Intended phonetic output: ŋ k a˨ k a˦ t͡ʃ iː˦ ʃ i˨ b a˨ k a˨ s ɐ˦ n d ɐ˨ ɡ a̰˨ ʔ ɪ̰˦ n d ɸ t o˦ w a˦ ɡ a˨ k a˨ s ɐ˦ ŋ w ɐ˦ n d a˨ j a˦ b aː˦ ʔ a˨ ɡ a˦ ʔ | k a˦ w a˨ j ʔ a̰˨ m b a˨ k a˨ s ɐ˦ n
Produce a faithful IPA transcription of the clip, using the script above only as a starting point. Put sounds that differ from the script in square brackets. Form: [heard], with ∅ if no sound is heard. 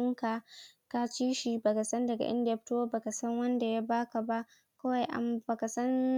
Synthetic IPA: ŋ k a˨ k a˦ t͡ʃ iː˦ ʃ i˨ b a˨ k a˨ s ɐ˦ n d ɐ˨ ɡ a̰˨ ʔ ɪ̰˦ n d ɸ t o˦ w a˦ [b] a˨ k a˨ s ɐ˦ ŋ w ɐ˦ n d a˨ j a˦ b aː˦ [k] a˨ [b] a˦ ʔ | k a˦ w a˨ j ʔ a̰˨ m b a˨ k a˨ s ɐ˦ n